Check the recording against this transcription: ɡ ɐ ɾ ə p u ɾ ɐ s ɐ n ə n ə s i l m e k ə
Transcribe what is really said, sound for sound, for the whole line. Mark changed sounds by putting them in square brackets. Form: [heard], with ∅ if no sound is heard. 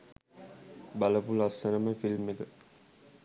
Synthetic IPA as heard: [b] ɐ [l] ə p u [l] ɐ s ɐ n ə [m] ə [f] i l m e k ə